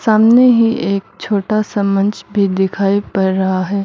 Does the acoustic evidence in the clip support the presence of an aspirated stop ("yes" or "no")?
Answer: yes